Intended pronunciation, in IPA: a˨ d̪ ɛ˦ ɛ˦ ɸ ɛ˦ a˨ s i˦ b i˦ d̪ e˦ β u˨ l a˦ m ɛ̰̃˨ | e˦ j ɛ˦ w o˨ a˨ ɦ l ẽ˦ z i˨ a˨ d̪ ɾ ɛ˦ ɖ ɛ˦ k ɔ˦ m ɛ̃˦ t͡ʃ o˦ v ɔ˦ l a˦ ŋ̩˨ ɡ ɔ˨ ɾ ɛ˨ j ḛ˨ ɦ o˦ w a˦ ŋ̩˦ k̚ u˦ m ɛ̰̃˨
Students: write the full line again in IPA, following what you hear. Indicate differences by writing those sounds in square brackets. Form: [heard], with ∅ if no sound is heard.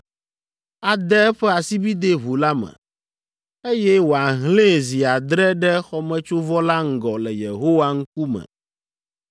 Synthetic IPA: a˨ d̪ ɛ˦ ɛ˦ ɸ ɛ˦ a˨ s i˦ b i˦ d̪ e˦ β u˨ l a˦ m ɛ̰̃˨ | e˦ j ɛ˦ w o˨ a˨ ɦ l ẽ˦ z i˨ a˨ d̪ ɾ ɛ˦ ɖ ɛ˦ [x] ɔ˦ m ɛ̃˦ t͡ʃ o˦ v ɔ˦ l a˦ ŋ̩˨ ɡ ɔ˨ [l] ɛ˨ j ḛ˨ ɦ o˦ w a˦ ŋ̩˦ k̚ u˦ m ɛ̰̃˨

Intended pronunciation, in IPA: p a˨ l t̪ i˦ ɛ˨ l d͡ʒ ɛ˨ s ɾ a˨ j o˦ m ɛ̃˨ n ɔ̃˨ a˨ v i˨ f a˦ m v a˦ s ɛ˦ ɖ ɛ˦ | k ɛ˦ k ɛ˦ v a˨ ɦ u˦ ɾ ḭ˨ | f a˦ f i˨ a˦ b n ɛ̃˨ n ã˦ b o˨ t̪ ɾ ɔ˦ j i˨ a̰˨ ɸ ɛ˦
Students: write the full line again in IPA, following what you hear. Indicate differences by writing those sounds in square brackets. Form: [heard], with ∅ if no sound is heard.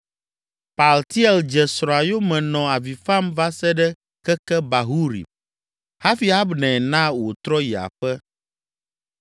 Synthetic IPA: p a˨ l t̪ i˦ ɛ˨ l d͡ʒ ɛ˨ s ɾ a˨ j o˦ m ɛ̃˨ n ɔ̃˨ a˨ v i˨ f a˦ m v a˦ s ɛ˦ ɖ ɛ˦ | k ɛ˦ k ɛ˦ [b] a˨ ɦ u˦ ɾ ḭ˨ | [h] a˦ f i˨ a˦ b n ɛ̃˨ n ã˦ [w] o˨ t̪ ɾ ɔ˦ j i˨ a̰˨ ɸ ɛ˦

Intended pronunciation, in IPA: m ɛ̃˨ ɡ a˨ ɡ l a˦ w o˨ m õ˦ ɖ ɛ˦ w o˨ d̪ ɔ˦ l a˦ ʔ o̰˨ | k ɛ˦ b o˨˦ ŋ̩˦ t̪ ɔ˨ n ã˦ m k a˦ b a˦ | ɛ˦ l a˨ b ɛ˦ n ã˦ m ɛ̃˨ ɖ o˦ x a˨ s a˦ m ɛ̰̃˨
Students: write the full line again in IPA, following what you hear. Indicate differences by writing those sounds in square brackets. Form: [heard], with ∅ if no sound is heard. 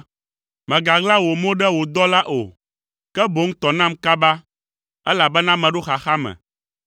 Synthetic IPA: m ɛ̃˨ ɡ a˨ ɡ l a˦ w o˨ m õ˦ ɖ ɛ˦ w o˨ d̪ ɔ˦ l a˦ ʔ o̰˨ | k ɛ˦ b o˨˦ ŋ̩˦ t̪ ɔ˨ n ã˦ m k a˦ b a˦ | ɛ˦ l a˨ b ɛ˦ n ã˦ m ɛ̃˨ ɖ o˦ x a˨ [x] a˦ m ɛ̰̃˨

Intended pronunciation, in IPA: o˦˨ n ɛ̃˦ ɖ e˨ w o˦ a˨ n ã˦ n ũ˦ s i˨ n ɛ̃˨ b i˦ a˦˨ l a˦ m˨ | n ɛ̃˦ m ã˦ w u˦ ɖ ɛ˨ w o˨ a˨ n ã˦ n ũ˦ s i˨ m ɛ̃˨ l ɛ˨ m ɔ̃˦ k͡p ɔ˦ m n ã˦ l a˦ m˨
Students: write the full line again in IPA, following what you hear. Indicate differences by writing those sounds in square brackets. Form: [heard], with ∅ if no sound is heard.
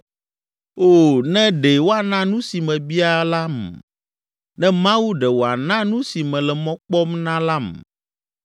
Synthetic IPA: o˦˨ n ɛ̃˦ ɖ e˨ w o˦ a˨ n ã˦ n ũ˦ s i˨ [m] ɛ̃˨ b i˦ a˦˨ l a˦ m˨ | n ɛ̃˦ m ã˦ w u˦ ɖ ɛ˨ w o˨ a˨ n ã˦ n ũ˦ s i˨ m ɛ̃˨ l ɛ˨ m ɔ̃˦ k͡p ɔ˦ m n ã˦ l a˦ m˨

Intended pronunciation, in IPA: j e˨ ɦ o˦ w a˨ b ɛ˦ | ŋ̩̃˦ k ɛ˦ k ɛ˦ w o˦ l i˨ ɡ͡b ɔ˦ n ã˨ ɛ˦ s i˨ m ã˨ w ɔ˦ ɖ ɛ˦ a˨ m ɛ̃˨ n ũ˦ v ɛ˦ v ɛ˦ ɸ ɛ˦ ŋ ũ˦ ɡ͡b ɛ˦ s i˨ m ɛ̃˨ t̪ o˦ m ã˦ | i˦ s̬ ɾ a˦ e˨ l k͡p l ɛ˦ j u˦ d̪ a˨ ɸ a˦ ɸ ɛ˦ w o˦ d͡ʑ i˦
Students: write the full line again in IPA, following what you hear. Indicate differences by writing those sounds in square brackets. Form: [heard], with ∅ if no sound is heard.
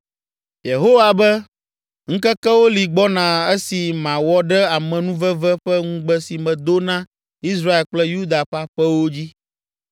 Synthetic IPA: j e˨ ɦ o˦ w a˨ b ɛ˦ | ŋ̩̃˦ k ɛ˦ k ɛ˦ w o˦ l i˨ ɡ͡b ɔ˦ n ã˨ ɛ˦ s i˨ m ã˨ w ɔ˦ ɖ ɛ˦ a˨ m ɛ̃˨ n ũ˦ v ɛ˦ v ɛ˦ ɸ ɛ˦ ŋ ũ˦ ɡ͡b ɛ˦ s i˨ m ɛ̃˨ [d̪] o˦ [n] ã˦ | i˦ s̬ ɾ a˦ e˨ l k͡p l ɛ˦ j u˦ d̪ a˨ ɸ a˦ ɸ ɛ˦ w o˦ d͡ʑ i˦

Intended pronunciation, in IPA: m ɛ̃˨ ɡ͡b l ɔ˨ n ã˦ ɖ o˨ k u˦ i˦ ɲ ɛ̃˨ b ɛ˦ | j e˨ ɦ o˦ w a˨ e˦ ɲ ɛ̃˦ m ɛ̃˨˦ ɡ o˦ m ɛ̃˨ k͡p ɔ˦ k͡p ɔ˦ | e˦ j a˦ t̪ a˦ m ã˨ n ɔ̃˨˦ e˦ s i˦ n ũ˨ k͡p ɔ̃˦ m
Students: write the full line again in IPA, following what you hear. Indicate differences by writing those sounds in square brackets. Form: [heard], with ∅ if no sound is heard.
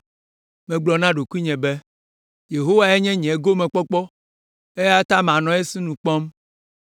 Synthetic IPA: m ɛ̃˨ ɡ͡b l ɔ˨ n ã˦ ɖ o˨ k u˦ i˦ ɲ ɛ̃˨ b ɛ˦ | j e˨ ɦ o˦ w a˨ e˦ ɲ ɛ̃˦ [ɲ] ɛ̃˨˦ ɡ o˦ m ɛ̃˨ k͡p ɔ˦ k͡p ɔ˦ | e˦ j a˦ t̪ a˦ m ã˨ n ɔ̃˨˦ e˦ s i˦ n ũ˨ k͡p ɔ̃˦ m

